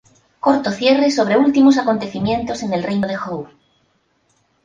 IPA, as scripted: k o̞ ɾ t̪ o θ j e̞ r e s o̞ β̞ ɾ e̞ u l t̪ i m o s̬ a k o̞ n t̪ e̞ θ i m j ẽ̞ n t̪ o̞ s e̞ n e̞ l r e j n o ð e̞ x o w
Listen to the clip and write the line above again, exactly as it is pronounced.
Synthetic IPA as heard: k o̞ ɾ t̪ o θ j e̞ r e s o̞ β̞ ɾ e̞ u l t̪ i m o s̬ a k o̞ n t̪ e̞ θ i m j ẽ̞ n t̪ o̞ s e̞ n e̞ l r e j n o ð e̞ x o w